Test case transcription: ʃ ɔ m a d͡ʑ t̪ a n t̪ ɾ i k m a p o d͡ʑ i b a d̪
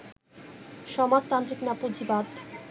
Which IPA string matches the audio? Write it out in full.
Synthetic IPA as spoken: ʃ ɔ m a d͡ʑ t̪ a n t̪ ɾ i k n a p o d͡ʑ i b a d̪